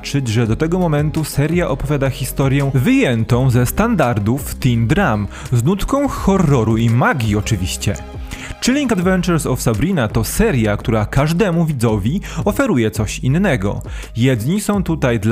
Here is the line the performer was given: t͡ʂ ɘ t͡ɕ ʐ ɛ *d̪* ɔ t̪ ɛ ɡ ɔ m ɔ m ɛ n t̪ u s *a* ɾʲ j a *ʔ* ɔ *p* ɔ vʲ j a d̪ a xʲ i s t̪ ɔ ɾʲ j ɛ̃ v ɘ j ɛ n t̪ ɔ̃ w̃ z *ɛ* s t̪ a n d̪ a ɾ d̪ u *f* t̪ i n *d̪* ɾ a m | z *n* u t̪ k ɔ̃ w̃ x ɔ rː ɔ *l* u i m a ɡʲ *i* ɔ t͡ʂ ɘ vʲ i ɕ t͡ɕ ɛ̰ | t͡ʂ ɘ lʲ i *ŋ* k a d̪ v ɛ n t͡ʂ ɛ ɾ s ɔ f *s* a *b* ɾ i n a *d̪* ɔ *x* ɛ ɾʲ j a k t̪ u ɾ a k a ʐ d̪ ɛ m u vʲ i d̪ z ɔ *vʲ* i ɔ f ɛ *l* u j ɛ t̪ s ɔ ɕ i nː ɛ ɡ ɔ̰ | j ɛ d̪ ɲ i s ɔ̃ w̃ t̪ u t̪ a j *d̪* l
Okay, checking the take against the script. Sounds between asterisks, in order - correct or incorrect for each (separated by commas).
correct, incorrect, correct, correct, correct, correct, correct, correct, incorrect, correct, correct, correct, correct, incorrect, incorrect, correct, incorrect, correct